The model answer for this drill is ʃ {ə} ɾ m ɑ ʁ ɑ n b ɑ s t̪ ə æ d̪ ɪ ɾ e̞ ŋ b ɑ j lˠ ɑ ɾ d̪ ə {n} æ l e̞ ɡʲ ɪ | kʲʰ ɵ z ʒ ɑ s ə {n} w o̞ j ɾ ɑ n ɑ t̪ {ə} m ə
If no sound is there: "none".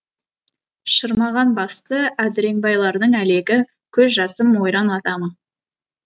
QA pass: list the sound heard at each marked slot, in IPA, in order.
ə, ɴ, m, ɑ

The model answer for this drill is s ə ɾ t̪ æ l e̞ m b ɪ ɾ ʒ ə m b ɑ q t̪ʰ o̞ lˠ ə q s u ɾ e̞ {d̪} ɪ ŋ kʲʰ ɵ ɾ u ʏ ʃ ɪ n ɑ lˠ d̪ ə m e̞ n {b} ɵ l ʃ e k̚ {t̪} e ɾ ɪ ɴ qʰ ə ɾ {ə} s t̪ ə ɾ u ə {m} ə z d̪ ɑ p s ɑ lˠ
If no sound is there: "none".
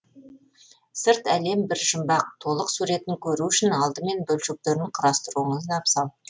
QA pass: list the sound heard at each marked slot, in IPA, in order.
t̪, b, t̪, ɑ, ɴ

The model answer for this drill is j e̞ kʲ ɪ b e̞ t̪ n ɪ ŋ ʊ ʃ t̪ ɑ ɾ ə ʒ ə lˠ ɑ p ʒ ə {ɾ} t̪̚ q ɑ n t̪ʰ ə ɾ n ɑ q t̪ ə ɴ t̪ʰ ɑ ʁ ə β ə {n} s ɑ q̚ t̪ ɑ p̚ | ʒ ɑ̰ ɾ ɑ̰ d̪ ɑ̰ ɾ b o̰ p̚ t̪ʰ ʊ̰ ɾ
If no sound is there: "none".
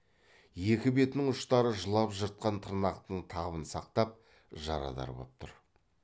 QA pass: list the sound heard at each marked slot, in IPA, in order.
ɾ, n

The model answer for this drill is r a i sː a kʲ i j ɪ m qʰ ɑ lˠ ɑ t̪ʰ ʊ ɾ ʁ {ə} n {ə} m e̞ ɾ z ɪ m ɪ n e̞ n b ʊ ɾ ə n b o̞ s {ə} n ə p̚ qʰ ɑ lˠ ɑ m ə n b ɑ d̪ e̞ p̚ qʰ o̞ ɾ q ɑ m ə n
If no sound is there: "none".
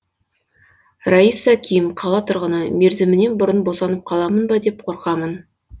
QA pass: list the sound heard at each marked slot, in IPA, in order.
ə, ə, ɑ

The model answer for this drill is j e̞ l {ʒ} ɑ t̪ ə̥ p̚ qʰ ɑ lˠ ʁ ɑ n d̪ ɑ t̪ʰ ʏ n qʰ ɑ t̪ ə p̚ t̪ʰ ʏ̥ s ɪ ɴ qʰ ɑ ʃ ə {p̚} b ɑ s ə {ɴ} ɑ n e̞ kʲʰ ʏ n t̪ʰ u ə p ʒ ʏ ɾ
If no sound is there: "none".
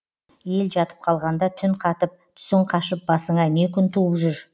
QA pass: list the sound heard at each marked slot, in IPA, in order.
ʒ, p̚, ɴ

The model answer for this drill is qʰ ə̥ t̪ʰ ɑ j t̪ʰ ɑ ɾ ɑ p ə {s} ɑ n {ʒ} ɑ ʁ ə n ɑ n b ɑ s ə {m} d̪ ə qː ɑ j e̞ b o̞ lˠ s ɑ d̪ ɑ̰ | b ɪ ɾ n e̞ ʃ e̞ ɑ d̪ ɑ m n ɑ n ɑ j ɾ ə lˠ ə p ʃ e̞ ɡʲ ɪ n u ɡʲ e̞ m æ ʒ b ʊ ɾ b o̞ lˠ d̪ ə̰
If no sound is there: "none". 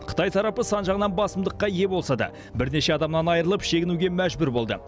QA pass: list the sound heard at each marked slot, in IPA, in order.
s, ʒ, m

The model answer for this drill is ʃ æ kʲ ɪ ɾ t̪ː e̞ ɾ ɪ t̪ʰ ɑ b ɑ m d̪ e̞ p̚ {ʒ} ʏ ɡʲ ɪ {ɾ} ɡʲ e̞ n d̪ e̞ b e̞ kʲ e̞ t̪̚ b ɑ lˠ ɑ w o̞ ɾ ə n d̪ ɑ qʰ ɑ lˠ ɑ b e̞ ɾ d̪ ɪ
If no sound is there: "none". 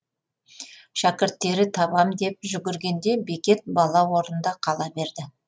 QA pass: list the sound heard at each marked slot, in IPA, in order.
ʒ, ɾ

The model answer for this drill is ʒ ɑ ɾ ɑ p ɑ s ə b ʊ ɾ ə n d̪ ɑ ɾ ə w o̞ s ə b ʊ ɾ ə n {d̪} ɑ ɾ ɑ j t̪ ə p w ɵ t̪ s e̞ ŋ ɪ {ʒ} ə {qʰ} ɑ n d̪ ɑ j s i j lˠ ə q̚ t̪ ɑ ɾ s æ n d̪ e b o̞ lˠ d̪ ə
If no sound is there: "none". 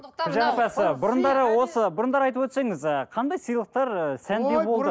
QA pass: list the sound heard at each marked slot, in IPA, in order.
d̪, z, qʰ

